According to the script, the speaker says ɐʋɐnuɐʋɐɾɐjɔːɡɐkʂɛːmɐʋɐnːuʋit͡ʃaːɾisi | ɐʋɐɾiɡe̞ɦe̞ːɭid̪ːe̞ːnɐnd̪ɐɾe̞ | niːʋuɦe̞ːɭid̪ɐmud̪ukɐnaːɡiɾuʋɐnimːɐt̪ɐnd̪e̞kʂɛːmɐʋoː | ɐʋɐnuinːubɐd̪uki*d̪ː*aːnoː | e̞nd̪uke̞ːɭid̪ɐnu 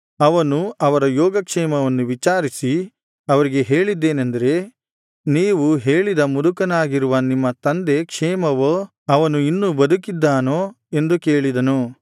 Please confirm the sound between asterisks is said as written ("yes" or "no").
yes